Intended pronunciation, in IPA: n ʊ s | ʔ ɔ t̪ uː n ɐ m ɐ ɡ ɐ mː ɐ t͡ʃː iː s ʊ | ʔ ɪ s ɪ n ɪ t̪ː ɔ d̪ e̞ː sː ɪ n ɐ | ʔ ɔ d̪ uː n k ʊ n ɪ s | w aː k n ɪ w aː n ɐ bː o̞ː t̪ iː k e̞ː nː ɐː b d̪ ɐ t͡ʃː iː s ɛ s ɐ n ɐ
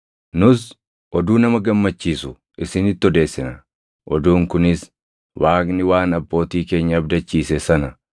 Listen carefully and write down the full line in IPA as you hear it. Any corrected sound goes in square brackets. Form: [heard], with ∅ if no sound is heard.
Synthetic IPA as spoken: n ʊ s | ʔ ɔ [d̪] uː n ɐ m ɐ ɡ ɐ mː ɐ t͡ʃː iː s ʊ | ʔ ɪ s ɪ n ɪ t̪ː ɔ d̪ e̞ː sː ɪ n ɐ | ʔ ɔ d̪ uː [ŋ] k ʊ n ɪ s | w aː k n ɪ w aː n ɐ bː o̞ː t̪ iː k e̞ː [ɲː] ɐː b d̪ ɐ t͡ʃː iː s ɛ s ɐ n ɐ

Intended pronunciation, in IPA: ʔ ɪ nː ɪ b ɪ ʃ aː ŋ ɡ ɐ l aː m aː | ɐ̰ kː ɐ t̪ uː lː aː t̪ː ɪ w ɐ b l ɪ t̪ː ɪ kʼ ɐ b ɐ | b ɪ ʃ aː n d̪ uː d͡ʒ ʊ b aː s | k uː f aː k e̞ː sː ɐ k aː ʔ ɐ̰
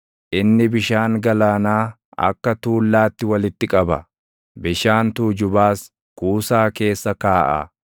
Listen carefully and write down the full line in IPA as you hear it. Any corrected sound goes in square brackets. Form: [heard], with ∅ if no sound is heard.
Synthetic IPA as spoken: ʔ ɪ nː ɪ b ɪ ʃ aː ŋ ɡ ɐ l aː [n] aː | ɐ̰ kː ɐ t̪ uː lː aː t̪ː ɪ w ɐ [∅] l ɪ t̪ː ɪ kʼ ɐ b ɐ | b ɪ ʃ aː n [t̪] uː d͡ʒ ʊ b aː s | k uː [s] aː k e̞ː sː ɐ k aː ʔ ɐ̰

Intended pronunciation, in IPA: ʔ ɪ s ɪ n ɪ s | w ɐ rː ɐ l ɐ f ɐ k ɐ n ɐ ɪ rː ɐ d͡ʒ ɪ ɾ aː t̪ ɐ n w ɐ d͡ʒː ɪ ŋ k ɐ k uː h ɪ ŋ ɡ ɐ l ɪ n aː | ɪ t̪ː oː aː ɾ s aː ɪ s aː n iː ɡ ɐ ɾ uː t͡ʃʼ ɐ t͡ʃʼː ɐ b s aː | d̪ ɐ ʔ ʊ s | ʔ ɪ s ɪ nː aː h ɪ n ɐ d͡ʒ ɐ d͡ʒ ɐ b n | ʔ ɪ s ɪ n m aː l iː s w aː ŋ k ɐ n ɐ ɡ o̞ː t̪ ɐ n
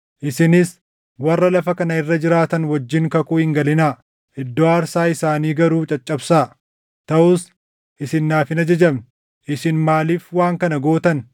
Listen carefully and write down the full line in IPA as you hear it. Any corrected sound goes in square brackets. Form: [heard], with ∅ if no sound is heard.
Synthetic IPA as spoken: ʔ ɪ s ɪ n ɪ s | w ɐ rː ɐ l ɐ f ɐ k ɐ n ɐ ɪ rː ɐ d͡ʒ ɪ ɾ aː t̪ ɐ n w ɐ d͡ʒː ɪ ŋ k ɐ k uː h ɪ ŋ ɡ ɐ l ɪ n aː | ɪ [d̪ː] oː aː ɾ s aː ɪ s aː n iː ɡ ɐ ɾ uː t͡ʃʼ ɐ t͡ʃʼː ɐ b s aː | [t̪] ɐ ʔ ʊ s | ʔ ɪ s ɪ nː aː [f] ɪ n ɐ d͡ʒ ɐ d͡ʒ ɐ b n | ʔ ɪ s ɪ n m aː l iː [f] w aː ŋ k ɐ n ɐ ɡ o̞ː t̪ ɐ n

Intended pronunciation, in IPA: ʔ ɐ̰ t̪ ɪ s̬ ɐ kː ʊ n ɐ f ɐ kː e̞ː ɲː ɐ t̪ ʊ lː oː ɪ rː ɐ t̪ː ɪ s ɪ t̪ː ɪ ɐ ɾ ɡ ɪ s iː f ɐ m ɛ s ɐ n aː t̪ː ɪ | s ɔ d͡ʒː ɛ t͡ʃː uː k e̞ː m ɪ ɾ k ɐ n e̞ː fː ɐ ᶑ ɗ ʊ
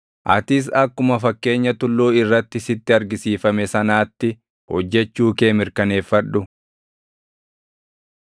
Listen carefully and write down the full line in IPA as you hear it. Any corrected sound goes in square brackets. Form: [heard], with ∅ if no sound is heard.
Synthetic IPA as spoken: ʔ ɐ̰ t̪ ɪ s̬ ɐ kː ʊ [m] ɐ f ɐ kː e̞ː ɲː ɐ t̪ ʊ lː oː ɪ rː ɐ t̪ː ɪ s ɪ t̪ː ɪ ɐ ɾ ɡ ɪ s iː f ɐ m ɛ s ɐ n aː t̪ː ɪ | [h] ɔ d͡ʒː ɛ t͡ʃː uː k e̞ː m ɪ ɾ k ɐ n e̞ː fː ɐ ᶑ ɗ ʊ

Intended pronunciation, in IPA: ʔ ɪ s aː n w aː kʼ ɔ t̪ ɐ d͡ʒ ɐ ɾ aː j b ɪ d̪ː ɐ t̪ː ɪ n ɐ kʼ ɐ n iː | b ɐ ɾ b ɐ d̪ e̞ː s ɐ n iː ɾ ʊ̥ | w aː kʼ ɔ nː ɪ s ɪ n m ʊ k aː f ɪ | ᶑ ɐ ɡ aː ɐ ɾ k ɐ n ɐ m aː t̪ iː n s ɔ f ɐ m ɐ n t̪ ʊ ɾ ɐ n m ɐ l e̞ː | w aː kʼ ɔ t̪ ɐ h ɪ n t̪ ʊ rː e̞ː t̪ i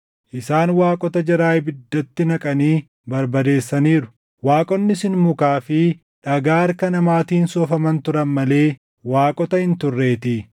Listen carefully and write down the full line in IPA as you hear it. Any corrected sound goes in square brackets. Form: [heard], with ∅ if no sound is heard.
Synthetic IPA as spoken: ʔ ɪ s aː n w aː kʼ ɔ t̪ ɐ d͡ʒ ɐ ɾ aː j b ɪ d̪ː ɐ t̪ː ɪ n ɐ kʼ ɐ n iː | b ɐ ɾ b ɐ d̪ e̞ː [sː] ɐ n iː ɾ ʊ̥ | w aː kʼ ɔ nː ɪ s ɪ n m ʊ k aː f ɪ | ᶑ ɐ ɡ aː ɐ ɾ k ɐ n ɐ m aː t̪ iː n s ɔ f ɐ m ɐ n t̪ ʊ ɾ ɐ n m ɐ l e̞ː | w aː kʼ ɔ t̪ ɐ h ɪ n t̪ ʊ rː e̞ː t̪ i

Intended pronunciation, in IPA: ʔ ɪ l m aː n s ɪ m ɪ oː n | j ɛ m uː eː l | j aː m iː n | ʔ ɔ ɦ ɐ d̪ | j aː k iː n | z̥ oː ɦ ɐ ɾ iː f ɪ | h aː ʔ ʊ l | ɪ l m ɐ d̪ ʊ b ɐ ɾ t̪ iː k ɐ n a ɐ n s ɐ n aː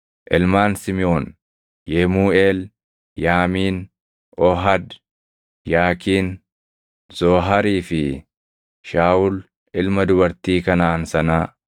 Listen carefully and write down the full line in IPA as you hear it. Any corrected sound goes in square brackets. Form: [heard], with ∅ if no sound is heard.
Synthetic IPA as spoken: ʔ ɪ l m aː n s ɪ m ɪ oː n | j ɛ m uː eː l | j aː m iː n | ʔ ɔ ɦ ɐ d̪ | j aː k iː n | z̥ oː ɦ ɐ ɾ iː f ɪ | [ʃ] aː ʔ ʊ l | ɪ l m ɐ d̪ ʊ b ɐ ɾ t̪ iː k ɐ n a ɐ n s ɐ n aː

